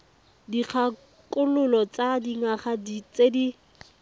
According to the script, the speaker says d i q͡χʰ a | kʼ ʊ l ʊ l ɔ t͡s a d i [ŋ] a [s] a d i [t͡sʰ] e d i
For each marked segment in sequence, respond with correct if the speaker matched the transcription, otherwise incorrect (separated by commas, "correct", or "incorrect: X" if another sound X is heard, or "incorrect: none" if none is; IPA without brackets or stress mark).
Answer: correct, incorrect: χ, incorrect: t͡s